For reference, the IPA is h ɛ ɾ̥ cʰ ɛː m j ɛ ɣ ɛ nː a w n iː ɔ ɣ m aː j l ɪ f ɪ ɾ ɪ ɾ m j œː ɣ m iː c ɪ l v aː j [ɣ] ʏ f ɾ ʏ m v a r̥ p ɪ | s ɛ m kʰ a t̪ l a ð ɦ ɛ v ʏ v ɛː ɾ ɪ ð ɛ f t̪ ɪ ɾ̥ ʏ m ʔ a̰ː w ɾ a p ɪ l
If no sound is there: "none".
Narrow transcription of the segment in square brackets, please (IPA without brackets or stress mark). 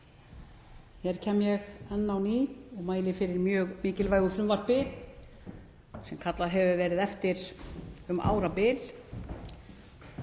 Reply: ɣ